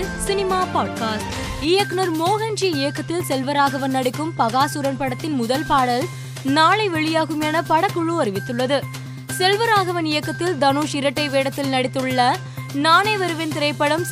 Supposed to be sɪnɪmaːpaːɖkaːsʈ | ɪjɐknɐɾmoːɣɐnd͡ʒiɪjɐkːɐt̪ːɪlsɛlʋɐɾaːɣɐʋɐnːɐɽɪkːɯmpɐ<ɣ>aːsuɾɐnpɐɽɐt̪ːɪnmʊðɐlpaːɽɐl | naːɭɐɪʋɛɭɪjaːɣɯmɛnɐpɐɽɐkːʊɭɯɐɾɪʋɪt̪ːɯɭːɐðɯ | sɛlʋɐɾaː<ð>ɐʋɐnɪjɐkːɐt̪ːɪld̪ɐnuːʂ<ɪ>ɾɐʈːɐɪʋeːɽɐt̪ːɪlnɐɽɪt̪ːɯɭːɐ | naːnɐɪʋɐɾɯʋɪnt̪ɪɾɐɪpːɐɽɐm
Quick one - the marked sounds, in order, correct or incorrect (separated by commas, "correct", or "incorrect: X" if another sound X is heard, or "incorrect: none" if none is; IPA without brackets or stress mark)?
correct, incorrect: ɣ, correct